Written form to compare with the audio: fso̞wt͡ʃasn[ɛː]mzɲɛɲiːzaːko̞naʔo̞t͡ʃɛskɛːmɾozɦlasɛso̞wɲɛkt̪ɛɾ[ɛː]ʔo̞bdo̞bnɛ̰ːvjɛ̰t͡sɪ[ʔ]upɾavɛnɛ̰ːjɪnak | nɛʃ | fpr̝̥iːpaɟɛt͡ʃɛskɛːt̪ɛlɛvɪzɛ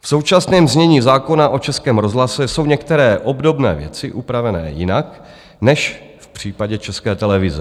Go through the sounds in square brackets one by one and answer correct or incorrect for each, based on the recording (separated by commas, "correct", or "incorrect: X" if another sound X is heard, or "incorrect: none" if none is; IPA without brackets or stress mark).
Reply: correct, correct, correct